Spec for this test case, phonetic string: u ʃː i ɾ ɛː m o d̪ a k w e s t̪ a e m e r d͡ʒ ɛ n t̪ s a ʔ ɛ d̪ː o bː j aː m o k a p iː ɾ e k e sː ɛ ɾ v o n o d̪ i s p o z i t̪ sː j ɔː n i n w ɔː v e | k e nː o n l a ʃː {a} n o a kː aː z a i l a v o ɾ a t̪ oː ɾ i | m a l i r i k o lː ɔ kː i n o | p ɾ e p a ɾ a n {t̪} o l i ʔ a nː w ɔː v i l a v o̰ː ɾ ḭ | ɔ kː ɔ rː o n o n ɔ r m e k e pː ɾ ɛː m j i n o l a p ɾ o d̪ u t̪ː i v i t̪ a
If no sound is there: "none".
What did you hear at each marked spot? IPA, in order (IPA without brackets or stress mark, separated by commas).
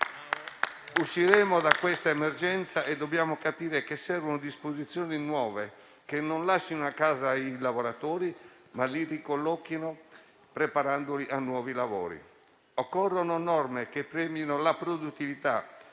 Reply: i, d̪